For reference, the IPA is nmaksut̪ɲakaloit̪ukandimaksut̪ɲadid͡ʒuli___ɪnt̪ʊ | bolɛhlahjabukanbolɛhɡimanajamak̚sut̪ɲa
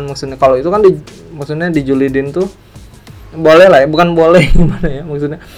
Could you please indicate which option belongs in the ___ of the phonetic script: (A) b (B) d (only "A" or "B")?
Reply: B